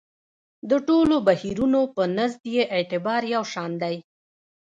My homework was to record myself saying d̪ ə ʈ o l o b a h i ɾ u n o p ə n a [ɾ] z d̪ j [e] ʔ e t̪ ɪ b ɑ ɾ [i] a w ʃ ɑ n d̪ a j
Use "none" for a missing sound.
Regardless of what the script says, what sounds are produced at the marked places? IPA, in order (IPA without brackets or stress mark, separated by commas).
none, e, j